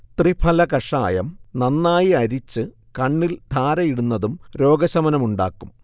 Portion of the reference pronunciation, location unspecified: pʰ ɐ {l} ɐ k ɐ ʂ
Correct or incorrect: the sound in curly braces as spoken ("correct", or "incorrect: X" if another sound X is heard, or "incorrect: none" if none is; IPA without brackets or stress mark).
correct